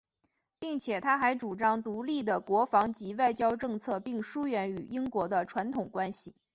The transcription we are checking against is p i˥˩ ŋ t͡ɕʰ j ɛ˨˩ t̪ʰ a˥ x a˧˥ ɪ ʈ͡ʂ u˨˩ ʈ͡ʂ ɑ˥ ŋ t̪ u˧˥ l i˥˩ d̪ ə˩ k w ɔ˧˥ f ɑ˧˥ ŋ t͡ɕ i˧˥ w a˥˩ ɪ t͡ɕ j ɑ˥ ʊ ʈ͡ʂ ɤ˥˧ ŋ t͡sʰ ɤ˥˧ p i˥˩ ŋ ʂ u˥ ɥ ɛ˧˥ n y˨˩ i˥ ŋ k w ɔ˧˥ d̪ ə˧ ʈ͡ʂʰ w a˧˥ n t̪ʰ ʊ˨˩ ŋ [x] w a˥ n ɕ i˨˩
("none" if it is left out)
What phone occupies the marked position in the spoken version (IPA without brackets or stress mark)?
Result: k